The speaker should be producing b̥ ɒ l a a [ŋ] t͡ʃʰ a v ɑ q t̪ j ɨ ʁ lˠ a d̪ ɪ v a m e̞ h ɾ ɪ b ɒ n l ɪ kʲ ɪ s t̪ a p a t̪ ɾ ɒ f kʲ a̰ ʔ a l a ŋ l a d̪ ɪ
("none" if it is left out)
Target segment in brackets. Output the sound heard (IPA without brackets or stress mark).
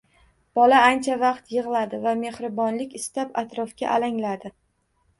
n